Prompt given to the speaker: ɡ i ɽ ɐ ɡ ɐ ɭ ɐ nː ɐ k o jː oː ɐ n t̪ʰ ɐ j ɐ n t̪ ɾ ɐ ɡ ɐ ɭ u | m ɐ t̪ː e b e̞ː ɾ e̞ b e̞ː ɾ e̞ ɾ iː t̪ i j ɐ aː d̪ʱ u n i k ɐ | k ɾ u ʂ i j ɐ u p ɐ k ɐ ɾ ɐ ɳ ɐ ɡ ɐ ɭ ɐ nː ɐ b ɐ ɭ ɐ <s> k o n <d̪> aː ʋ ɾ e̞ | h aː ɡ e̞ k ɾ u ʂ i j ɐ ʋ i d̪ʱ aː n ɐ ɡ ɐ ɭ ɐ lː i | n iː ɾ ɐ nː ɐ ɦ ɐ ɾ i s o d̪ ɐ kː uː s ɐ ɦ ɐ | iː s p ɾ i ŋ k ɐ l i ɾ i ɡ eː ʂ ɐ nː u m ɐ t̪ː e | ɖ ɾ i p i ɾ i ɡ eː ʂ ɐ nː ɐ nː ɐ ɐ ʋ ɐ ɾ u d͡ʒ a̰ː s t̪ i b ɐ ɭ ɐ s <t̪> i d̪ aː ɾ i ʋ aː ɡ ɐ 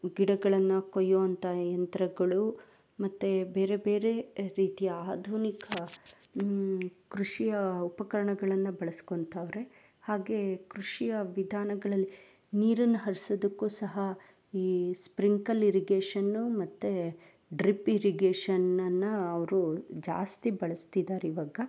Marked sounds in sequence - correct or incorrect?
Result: correct, incorrect: t̪, correct

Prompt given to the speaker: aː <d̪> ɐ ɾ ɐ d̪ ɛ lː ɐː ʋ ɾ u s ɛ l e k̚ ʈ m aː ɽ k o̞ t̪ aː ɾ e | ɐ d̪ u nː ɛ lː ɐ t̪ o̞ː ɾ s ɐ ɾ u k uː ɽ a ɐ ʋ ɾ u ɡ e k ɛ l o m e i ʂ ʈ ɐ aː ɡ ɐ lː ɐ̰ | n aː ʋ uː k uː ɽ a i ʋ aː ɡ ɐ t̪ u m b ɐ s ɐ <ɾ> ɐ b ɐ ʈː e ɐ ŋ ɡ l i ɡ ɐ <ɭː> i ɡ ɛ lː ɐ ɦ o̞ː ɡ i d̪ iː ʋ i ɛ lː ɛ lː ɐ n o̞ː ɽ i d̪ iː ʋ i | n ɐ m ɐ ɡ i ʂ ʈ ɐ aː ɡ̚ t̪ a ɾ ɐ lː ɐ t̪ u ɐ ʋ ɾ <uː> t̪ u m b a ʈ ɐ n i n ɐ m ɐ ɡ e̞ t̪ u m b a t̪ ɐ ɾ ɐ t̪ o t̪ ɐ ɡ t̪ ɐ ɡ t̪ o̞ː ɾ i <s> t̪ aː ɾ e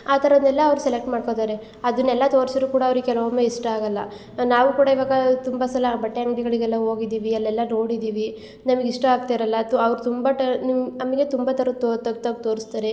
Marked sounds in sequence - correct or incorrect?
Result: incorrect: t̪, incorrect: l, incorrect: ɭ, incorrect: u, correct

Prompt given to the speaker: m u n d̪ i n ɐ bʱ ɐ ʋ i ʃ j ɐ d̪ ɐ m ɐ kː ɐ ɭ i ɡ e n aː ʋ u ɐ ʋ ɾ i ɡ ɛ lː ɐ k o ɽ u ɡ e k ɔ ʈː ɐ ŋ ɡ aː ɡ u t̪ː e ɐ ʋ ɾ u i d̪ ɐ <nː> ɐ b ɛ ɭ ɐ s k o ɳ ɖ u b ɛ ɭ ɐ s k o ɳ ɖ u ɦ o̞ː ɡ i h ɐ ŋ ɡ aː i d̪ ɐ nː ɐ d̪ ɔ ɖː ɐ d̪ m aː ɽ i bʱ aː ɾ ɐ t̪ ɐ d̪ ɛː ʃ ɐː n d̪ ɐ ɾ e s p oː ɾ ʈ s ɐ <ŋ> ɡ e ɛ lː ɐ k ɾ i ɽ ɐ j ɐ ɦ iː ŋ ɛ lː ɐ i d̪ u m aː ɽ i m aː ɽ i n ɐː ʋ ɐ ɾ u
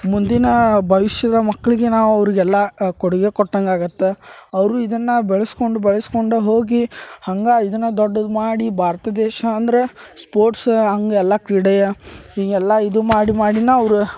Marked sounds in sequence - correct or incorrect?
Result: correct, correct

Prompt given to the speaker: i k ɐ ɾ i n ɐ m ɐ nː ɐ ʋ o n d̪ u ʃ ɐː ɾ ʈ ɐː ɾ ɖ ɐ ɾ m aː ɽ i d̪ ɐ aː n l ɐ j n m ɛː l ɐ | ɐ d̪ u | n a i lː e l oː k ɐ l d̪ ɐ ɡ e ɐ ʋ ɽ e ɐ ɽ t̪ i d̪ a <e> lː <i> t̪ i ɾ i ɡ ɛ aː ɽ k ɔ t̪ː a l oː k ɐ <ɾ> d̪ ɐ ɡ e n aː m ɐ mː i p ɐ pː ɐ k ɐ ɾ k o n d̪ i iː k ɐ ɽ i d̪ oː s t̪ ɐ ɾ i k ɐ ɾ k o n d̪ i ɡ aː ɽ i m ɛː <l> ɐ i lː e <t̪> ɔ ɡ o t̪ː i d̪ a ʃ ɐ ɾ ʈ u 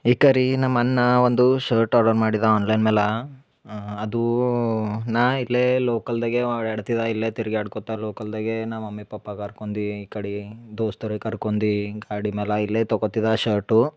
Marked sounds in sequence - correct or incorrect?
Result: incorrect: i, incorrect: e, incorrect: l, correct, correct

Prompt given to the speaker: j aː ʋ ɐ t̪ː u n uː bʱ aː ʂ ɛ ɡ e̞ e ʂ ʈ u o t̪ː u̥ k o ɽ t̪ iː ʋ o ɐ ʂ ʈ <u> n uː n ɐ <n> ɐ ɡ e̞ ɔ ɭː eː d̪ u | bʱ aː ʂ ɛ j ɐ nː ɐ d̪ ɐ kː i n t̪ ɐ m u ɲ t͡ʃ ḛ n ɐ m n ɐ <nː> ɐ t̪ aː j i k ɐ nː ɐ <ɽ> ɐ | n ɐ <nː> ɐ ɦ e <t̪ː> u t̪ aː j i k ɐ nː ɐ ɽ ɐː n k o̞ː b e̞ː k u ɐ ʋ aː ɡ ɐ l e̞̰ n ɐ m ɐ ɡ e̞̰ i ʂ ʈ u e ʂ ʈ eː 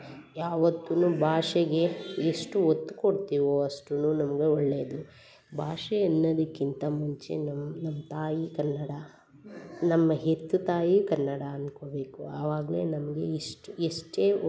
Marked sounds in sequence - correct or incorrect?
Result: correct, incorrect: m, incorrect: mː, correct, incorrect: mː, correct

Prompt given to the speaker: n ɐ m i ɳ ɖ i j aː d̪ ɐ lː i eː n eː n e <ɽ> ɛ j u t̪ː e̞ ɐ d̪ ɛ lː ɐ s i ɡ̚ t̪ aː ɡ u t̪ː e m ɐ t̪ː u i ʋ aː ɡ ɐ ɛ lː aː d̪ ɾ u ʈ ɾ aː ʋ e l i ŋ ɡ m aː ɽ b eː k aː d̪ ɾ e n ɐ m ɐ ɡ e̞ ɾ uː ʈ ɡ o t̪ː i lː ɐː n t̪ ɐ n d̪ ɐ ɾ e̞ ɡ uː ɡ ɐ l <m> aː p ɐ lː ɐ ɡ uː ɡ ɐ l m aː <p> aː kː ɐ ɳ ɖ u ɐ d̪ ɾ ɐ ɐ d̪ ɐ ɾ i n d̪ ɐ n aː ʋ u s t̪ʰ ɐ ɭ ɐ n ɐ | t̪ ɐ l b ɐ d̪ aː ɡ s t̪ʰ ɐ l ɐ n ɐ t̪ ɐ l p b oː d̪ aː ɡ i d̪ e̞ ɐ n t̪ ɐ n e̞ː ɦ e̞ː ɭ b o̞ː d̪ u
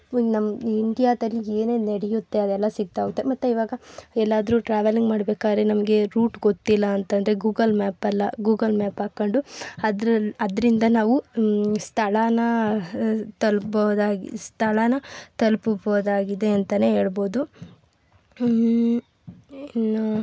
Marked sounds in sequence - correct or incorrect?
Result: correct, correct, correct

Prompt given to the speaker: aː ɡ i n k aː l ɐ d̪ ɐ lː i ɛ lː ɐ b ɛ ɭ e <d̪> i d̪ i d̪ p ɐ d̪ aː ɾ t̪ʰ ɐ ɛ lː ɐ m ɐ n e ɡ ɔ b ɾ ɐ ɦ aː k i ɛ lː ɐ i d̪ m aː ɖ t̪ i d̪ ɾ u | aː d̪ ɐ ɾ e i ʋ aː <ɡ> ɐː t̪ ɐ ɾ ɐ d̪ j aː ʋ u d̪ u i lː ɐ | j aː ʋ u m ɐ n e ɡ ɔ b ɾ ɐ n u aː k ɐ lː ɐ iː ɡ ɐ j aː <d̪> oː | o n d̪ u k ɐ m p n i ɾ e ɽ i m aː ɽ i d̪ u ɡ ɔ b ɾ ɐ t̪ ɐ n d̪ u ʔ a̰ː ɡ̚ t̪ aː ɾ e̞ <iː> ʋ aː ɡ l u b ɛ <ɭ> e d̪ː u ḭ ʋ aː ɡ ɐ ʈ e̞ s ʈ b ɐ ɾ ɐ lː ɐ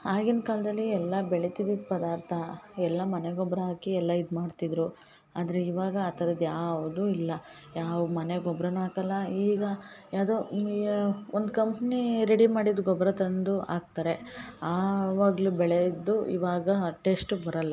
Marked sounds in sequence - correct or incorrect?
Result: incorrect: t̪, correct, correct, incorrect: aː, correct

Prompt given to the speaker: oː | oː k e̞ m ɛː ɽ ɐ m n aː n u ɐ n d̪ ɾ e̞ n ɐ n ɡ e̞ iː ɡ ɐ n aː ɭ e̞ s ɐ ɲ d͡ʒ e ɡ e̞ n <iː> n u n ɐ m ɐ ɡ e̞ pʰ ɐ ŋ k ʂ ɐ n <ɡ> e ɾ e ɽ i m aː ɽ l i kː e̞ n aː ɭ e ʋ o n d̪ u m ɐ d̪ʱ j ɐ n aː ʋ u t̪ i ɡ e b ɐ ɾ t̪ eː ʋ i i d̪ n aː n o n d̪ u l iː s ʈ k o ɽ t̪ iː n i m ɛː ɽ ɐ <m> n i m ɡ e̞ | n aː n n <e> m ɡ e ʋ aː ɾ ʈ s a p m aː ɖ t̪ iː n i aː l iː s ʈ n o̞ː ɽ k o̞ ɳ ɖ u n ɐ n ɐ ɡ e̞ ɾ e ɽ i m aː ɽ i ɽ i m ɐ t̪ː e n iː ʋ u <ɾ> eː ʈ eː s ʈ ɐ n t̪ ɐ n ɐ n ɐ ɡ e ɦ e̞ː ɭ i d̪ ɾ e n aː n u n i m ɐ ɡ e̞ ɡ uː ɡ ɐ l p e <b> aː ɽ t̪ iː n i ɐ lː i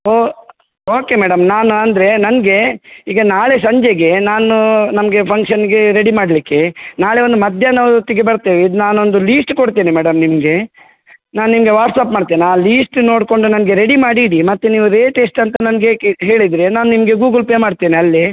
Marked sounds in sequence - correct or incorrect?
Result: incorrect: aː, correct, correct, incorrect: i, correct, incorrect: m

